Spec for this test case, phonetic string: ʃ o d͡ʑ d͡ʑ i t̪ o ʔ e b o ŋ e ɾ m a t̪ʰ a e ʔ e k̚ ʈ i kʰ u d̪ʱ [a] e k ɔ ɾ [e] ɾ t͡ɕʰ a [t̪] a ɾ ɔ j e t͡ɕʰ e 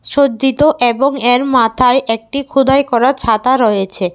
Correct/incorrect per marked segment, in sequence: correct, incorrect, correct

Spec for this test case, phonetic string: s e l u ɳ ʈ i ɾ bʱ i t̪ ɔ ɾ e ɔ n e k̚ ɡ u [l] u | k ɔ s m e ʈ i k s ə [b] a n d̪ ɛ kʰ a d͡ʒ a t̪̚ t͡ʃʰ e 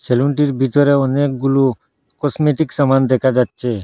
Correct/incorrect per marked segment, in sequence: correct, incorrect

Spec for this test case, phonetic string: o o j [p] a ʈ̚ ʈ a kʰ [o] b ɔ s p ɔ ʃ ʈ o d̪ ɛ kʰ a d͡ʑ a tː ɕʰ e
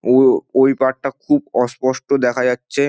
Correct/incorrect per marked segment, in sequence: correct, incorrect

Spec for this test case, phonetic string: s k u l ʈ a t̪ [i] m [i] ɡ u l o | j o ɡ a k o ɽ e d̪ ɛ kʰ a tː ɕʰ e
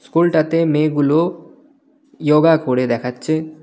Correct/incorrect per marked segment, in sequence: incorrect, incorrect

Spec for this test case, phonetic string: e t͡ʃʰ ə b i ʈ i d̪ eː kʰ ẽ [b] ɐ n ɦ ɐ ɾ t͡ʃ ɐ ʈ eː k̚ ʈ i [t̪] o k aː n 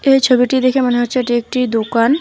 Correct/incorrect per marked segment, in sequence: incorrect, incorrect

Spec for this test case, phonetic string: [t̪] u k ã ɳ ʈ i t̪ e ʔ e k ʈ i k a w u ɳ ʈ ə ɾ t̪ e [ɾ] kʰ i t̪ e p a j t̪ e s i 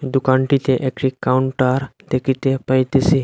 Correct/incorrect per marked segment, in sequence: incorrect, incorrect

